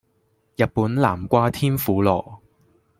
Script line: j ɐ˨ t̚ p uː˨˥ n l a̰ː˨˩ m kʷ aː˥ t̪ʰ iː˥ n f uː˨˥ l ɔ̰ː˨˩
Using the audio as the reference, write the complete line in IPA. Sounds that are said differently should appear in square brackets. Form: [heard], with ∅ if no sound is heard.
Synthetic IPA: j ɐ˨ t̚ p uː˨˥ n l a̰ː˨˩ m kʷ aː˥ t̪ʰ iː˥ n f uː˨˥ l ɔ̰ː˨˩